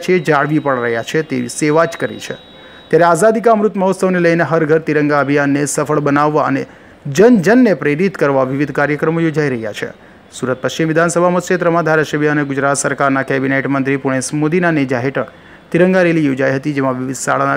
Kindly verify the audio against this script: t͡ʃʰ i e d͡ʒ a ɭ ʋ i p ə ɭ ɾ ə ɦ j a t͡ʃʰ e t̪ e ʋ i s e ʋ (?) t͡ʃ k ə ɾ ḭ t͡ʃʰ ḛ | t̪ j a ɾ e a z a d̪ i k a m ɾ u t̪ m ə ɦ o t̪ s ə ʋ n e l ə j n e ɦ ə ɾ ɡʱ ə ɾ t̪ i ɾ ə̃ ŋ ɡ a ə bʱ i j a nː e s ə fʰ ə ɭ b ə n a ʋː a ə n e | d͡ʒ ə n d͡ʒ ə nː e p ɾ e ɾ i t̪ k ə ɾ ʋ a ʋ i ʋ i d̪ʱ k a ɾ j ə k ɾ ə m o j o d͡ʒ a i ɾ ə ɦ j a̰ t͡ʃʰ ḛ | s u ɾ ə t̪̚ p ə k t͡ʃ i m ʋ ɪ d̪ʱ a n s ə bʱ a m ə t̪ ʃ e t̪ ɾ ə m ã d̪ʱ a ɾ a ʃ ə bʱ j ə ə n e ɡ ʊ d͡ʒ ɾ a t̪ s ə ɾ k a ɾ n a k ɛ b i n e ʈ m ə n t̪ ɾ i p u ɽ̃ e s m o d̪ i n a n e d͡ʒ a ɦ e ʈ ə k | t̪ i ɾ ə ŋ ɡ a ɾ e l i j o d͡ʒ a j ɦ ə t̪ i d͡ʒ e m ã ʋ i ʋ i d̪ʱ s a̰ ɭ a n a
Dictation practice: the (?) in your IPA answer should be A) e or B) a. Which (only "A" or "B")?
B